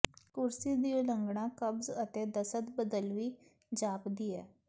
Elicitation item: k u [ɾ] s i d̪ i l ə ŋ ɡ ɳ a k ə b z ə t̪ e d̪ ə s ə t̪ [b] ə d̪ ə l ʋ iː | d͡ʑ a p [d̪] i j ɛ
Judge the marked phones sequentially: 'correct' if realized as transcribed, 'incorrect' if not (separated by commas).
correct, correct, correct